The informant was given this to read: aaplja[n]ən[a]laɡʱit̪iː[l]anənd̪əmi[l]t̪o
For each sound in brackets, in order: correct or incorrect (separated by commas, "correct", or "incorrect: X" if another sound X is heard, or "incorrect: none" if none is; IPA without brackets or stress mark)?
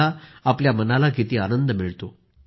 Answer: incorrect: m, correct, incorrect: none, incorrect: ɭ